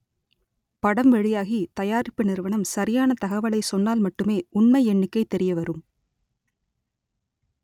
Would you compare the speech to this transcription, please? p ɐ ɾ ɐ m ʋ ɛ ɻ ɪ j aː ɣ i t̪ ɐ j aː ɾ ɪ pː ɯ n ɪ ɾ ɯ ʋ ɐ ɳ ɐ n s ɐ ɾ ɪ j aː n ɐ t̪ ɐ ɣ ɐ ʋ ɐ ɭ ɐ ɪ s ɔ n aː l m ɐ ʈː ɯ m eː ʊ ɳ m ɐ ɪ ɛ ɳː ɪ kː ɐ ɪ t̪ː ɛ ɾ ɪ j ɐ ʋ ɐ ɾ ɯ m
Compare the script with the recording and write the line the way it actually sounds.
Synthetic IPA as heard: p ɐ ɽ ɐ m ʋ ɛ ɻ ɪ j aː ɣ i t̪ ɐ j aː ɾ ɪ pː ɯ n ɪ ɾ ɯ ʋ ɐ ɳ ɐ m s ɐ ɾ ɪ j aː n ɐ t̪ ɐ ɣ ɐ ʋ ɐ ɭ ɐ ɪ s ɔ nː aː l m ɐ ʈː ɯ m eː ʊ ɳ m ɐ ɪ ɛ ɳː ɪ kː ɐ ɪ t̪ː ɛ ɾ ɪ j ɐ ʋ ɐ ɾ ɯ m